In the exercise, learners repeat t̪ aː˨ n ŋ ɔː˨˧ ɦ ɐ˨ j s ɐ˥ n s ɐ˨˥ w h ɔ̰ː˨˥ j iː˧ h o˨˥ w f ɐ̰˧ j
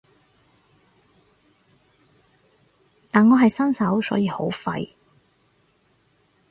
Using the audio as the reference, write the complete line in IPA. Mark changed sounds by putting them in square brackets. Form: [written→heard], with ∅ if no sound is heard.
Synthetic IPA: t̪ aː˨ n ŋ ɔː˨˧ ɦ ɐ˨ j s ɐ˥ n s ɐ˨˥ w [h→s] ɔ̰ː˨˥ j iː˧ h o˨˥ w f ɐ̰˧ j